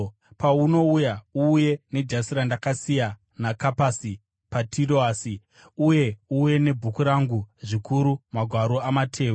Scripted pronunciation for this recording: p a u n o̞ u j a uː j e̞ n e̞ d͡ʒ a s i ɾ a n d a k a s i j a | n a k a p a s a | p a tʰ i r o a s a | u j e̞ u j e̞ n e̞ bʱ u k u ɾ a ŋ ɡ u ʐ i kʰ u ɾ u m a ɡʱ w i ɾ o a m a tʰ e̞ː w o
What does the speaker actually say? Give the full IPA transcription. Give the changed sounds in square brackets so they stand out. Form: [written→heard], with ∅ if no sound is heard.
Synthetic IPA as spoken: p a u n o̞ u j a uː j e̞ n e̞ d͡ʒ a s i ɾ a n d a k a s i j a | n a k a p a s [a→i] | p a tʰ i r o a s [a→i] | u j e̞ u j e̞ n e̞ bʱ u k u ɾ a ŋ ɡ u ʐ i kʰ u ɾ u m a ɡʱ w [i→a] ɾ o a m a tʰ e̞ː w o